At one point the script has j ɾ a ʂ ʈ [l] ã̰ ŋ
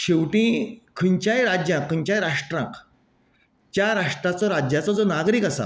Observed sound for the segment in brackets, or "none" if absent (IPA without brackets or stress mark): ɾ